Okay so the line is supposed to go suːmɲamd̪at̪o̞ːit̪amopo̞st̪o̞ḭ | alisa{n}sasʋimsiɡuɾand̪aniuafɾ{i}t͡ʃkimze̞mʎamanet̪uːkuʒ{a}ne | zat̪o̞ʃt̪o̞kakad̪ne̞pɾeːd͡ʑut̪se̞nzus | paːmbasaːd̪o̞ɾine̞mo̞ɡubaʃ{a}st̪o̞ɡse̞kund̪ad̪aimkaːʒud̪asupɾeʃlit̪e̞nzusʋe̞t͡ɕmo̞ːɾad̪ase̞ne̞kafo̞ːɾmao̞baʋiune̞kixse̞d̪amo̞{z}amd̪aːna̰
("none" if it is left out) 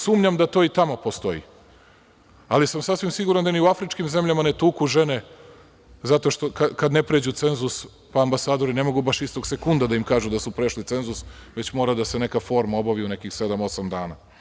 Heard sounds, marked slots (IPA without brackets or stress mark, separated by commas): m, i, e, i, s